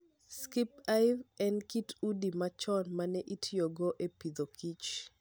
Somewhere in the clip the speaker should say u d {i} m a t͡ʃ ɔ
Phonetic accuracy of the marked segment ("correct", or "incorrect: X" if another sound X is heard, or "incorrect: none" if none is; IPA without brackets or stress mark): correct